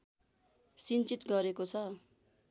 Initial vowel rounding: unrounded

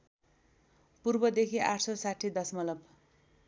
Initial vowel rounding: rounded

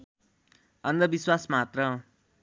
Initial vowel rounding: unrounded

